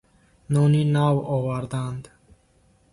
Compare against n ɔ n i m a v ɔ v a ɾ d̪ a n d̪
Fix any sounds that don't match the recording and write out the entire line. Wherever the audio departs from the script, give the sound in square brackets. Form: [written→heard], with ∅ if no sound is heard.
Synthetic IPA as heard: n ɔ n i [m→n] a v ɔ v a ɾ d̪ a n d̪